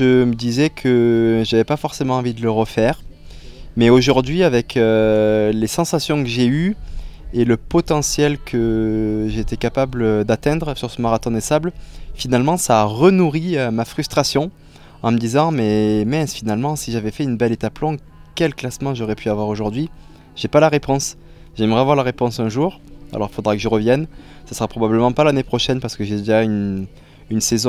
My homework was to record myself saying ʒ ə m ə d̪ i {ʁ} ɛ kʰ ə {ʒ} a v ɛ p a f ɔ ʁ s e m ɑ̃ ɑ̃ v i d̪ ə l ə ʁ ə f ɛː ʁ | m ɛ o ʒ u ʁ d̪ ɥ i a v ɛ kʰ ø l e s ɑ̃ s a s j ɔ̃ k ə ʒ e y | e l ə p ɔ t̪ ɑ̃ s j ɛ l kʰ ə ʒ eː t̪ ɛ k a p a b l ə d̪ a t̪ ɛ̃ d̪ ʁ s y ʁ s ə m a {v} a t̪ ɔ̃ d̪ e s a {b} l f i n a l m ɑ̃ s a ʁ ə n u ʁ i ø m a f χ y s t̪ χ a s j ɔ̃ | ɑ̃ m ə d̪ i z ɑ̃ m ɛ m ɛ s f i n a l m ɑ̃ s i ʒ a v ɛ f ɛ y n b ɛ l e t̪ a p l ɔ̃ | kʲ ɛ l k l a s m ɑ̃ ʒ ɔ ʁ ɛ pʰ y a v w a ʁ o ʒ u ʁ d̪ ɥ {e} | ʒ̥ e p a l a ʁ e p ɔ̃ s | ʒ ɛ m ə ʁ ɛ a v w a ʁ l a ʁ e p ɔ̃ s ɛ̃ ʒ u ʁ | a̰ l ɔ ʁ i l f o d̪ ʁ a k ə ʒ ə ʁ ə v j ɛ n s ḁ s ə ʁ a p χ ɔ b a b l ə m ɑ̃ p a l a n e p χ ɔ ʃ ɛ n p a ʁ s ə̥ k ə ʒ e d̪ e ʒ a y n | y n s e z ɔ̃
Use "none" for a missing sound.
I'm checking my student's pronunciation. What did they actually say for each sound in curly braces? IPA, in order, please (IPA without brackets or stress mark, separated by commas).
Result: z, ʒ, ʁ, b, i